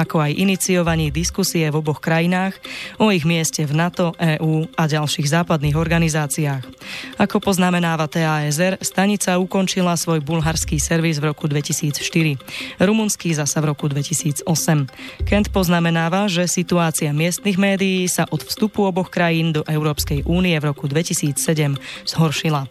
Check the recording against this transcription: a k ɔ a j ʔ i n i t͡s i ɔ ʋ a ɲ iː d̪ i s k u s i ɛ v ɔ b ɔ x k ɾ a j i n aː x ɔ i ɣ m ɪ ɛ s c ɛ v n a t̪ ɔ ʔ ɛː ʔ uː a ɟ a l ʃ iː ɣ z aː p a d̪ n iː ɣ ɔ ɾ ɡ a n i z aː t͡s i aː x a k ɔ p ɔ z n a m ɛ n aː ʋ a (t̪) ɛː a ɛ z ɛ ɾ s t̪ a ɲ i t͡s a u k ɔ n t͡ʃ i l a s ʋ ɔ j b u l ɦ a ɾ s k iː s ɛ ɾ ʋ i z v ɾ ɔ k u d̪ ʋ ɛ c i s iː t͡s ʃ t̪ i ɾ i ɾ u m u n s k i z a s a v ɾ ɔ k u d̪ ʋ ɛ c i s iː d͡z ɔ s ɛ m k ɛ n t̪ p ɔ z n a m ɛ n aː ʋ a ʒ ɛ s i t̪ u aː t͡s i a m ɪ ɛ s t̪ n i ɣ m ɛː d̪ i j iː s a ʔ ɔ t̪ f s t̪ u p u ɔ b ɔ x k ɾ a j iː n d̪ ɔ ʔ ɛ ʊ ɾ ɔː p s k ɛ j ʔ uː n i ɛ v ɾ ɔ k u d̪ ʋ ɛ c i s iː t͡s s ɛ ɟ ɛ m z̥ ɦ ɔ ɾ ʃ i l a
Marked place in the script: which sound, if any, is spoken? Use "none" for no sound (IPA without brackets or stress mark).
t̪